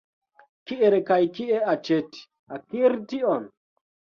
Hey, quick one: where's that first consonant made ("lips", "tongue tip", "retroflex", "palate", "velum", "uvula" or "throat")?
velum